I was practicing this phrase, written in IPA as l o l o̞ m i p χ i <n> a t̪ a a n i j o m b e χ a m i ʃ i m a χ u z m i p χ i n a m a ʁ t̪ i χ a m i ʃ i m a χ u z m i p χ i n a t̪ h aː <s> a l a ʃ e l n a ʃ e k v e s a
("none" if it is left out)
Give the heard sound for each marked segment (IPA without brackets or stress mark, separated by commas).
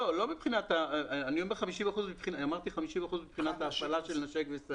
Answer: n, f